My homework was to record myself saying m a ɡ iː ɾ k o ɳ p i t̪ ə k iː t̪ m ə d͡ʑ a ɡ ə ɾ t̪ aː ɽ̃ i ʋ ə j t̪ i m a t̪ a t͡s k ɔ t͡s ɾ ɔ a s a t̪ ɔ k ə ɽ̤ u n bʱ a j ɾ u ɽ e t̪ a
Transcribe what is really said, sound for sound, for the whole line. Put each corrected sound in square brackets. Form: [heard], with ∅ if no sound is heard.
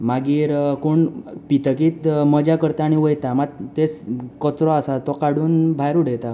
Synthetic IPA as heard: m a ɡ iː ɾ k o ɳ p i t̪ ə k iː t̪ m ə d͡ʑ a [k] ə ɾ t̪ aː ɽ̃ i ʋ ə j t̪ [a] m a t̪ [e] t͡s k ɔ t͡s ɾ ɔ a s a t̪ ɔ k [a] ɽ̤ [uː] n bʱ a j ɾ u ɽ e t̪ a